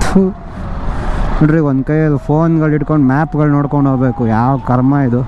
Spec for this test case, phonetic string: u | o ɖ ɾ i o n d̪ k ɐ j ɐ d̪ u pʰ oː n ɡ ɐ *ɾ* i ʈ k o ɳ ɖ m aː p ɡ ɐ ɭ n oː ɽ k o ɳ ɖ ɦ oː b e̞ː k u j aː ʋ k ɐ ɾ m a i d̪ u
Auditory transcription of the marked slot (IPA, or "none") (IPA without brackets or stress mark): ɭ